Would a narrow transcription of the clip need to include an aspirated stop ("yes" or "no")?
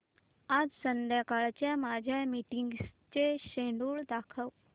yes